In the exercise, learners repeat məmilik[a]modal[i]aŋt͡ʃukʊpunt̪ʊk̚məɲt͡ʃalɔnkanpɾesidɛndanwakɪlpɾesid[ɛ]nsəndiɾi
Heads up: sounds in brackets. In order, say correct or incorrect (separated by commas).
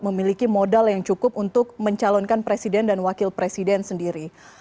incorrect, incorrect, correct